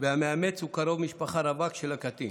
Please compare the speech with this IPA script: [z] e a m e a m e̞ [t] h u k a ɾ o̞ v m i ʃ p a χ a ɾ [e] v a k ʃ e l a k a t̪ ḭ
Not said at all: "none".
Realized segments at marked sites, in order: v, t͡s, a

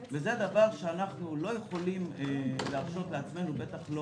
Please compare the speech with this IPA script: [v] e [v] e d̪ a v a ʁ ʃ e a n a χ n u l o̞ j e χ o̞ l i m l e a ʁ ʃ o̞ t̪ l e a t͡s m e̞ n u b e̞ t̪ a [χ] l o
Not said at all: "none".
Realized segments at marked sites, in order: v, z, χ

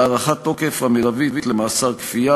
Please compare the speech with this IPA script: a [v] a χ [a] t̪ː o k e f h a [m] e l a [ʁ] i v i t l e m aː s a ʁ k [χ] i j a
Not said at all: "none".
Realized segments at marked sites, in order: ʁ, a, m, v, f

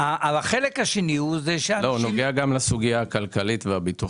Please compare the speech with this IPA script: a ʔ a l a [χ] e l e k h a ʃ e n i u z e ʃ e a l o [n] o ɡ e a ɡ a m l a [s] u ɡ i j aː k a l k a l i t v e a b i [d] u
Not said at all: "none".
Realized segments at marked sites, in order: χ, n, s, t

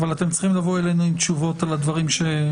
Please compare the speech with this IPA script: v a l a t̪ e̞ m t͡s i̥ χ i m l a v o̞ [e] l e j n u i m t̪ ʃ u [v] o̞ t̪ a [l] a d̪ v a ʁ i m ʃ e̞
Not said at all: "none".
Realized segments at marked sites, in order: e, v, l

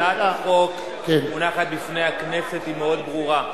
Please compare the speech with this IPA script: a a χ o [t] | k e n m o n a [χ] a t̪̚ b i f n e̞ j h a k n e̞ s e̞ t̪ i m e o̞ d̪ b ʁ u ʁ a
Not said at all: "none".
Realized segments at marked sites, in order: k, χ

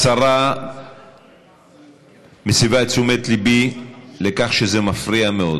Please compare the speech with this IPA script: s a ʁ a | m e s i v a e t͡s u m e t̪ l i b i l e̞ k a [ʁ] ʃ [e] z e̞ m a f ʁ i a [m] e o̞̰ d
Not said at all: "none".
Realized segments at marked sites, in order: χ, e, m

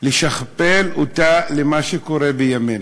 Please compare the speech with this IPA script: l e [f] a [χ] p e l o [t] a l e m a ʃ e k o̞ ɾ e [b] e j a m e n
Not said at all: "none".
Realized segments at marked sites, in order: ʃ, χ, t, b

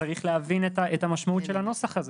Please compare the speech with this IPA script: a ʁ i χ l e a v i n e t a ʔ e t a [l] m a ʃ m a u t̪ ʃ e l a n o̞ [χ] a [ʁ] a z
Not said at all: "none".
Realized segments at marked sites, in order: none, s, χ

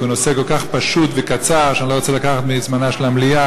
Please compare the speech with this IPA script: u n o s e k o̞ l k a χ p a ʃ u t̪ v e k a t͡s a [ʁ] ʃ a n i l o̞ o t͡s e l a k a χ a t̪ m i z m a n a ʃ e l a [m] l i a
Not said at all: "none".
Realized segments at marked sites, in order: ʁ, m

